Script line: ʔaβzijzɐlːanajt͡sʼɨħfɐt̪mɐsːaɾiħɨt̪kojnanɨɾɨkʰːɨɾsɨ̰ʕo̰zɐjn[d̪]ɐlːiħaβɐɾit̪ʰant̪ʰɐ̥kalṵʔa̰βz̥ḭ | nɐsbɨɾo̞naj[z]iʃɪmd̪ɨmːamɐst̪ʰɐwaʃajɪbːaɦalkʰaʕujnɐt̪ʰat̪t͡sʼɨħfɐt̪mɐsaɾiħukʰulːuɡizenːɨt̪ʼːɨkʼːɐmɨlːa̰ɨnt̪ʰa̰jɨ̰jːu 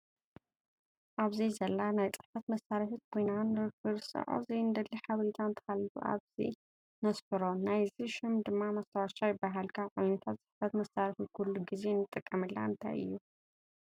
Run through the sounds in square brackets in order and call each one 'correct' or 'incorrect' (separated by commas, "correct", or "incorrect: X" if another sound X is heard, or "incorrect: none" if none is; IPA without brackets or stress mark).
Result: correct, correct